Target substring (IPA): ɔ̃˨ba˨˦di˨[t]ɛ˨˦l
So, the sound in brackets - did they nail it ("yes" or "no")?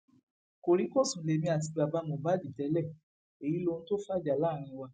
yes